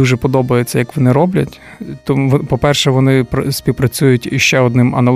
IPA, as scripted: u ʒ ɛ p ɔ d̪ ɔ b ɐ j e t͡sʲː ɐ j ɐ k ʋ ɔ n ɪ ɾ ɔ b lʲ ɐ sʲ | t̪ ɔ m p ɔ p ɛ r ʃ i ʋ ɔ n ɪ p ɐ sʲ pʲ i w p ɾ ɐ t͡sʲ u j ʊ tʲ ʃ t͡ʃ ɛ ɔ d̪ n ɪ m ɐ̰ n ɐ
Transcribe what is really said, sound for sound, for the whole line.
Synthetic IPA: u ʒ ɛ p ɔ d̪ ɔ b ɐ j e t͡sʲː ɐ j ɐ k ʋ ɔ n ɪ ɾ ɔ b lʲ ɐ tʲ | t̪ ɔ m p ɔ p ɛ r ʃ ɛ ʋ ɔ n ɪ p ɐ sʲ pʲ i w p ɾ ɐ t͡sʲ u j ʊ tʲ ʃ t͡ʃ ɛ ɔ d̪ n ɪ m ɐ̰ n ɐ